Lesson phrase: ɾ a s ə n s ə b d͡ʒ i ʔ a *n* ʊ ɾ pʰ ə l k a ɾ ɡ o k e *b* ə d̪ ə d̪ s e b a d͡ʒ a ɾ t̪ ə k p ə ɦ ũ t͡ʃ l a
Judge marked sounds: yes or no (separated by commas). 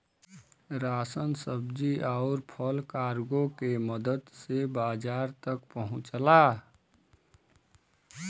no, no